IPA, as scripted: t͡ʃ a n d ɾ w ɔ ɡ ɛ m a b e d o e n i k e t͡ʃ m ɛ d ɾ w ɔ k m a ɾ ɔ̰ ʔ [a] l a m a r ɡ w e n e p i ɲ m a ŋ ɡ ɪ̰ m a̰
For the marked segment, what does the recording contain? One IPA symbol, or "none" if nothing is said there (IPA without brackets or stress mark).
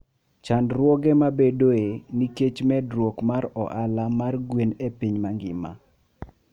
a